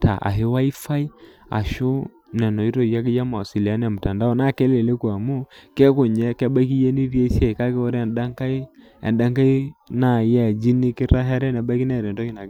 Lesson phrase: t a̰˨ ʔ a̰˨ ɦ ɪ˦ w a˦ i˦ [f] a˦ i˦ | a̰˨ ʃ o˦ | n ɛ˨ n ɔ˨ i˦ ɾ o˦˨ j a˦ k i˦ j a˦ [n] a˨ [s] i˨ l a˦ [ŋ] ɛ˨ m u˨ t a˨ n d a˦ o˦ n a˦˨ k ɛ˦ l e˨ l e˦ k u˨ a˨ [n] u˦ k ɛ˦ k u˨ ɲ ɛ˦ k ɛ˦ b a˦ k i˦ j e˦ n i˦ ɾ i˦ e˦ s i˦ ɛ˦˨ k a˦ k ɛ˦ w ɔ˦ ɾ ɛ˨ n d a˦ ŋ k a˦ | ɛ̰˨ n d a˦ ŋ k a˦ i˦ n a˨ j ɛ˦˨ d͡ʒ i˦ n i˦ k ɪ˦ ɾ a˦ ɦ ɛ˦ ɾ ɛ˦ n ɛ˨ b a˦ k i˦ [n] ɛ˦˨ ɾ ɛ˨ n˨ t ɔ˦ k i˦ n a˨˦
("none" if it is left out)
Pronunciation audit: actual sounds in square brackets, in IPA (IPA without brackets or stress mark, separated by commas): f, m, s, n, m, n